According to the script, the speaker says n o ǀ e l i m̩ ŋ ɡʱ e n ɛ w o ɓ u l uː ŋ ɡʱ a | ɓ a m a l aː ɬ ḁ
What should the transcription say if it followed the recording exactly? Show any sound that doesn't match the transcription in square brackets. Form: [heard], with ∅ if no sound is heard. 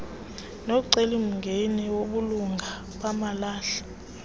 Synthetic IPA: n o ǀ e l i m̩ ŋ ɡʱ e n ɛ w o ɓ u l [u] ŋ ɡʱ a | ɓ a m a l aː ɬ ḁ